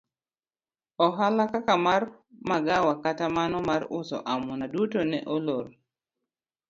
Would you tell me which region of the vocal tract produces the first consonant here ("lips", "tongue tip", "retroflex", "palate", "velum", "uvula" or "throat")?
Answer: throat